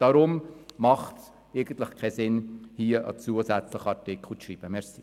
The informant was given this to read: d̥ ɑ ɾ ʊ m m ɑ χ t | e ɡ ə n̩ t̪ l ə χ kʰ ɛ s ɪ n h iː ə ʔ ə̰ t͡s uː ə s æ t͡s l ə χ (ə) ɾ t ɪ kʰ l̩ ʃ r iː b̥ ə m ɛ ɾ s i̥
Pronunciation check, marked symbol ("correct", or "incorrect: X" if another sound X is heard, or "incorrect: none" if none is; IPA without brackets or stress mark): incorrect: ɑ